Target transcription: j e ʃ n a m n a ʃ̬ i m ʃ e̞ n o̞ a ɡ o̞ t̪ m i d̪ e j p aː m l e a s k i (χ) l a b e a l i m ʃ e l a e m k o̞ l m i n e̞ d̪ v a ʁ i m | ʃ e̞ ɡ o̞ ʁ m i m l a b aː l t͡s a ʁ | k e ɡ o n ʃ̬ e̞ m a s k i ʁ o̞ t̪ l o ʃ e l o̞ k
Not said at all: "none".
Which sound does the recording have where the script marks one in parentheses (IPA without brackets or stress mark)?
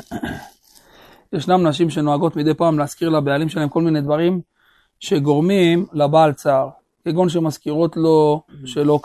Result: ʁ